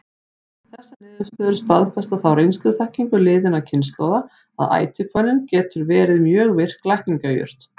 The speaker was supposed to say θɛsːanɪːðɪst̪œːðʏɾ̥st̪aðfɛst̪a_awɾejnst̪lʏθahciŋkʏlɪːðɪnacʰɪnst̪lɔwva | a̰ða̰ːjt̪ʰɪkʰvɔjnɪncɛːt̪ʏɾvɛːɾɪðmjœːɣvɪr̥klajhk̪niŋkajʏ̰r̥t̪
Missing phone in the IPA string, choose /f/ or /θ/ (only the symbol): θ